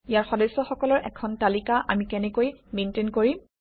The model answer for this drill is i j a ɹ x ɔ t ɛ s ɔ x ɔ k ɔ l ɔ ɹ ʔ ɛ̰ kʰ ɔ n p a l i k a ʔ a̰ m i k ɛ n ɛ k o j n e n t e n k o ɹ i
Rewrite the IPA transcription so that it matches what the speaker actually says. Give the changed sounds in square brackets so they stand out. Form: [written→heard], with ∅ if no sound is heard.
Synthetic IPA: i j a ɹ x ɔ [t→d] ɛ s ɔ x ɔ k ɔ l ɔ ɹ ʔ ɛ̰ kʰ ɔ n [p→t] a l i k a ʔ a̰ m i k ɛ n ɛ k o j [n→m] e n t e n k o ɹ i